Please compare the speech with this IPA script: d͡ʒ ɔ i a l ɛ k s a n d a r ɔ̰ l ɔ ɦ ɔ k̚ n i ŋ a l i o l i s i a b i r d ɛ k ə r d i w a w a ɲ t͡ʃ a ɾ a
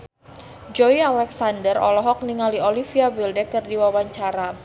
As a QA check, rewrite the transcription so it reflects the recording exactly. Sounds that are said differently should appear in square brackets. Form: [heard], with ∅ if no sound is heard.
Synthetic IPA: d͡ʒ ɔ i a l ɛ k s a n d [ə] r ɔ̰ l ɔ ɦ ɔ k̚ n i ŋ a l i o l i [f] i a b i [l] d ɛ k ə r d i w a w a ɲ t͡ʃ a ɾ a